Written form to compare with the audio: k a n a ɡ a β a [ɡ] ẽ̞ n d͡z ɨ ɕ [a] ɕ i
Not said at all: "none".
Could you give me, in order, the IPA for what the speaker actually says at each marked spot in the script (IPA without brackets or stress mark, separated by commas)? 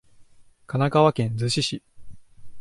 k, i